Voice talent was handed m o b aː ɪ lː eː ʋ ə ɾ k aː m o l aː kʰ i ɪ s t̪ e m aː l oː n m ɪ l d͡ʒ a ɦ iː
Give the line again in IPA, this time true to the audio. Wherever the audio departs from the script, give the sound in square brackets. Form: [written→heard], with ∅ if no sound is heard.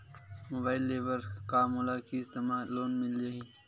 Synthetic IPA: m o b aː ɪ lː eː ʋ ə ɾ k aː m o l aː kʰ i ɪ s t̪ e m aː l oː n m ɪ l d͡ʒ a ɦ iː